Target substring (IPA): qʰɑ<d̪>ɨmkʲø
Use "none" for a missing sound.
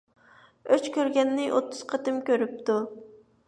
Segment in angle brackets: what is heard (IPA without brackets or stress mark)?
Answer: t̪